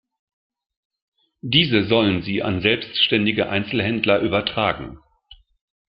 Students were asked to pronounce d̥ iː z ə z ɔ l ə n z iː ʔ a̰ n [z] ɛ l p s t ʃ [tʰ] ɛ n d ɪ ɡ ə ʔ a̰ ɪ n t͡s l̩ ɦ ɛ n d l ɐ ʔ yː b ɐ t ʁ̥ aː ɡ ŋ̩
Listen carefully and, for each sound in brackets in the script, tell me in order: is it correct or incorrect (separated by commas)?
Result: correct, incorrect